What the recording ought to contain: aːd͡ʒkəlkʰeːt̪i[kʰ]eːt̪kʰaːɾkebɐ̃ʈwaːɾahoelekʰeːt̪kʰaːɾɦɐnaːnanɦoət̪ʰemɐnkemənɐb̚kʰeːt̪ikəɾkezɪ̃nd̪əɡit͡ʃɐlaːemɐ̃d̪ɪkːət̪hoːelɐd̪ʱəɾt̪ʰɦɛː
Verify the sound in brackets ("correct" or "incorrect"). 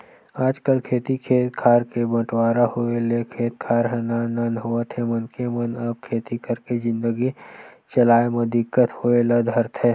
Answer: correct